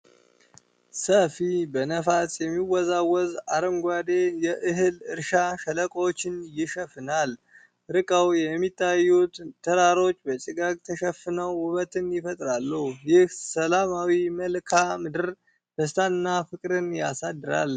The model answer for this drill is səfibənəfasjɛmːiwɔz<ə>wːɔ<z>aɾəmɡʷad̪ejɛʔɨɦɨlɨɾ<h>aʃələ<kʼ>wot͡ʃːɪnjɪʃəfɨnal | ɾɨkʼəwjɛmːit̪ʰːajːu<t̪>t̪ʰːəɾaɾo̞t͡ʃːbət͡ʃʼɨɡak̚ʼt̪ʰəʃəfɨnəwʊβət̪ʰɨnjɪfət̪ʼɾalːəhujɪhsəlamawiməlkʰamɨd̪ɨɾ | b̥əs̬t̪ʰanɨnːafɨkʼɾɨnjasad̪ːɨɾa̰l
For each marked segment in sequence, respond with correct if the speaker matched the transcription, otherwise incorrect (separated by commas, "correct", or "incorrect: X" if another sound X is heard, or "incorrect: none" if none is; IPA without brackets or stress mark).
incorrect: a, correct, incorrect: ʃ, correct, correct